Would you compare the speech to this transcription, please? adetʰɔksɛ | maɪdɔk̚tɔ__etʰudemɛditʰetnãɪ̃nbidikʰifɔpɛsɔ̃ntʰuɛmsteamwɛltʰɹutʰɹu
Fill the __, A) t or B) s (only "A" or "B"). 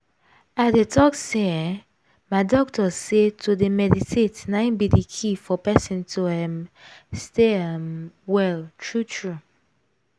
B